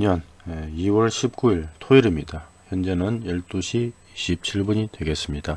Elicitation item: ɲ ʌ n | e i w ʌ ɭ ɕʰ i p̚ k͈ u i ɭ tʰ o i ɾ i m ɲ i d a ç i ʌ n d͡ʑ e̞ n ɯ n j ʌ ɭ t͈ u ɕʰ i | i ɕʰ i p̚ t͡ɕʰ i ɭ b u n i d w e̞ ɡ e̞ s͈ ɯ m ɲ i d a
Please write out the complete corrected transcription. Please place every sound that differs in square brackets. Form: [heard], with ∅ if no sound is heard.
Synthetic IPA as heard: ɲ ʌ n | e i w ʌ ɭ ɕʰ i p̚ k͈ u i ɭ tʰ o i ɾ i m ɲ i d a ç [j] ʌ n d͡ʑ e̞ n ɯ n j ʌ ɭ t͈ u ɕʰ i | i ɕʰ i p̚ t͡ɕʰ i ɭ b u [ɲ] i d w e̞ ɡ e̞ s͈ ɯ m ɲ i d a